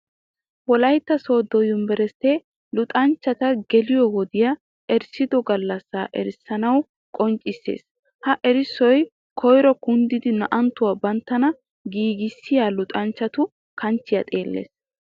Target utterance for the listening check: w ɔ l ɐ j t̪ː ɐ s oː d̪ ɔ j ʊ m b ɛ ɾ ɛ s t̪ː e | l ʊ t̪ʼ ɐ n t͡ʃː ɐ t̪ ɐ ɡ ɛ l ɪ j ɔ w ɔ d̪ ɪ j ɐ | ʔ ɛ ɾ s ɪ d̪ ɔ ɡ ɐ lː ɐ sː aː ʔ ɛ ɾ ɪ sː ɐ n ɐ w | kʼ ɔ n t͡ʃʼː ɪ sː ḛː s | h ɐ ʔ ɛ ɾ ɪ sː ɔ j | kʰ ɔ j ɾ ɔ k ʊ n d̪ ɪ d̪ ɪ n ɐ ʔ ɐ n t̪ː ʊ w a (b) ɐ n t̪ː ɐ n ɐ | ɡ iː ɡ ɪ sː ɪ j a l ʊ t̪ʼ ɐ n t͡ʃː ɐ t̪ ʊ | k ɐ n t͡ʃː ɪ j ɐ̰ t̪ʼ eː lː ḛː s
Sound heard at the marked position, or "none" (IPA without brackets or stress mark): b